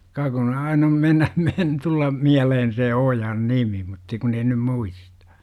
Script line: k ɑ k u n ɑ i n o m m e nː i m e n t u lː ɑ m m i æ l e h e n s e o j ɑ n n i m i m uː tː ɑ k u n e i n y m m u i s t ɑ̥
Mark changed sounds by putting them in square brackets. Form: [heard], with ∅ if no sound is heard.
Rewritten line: k ɑ k u n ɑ i n o m m e nː [æ] m e n t u lː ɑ m m i æ l e h e n s e o j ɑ n n i m i m [u] tː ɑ k u n e i n y m m u i s t ɑ̥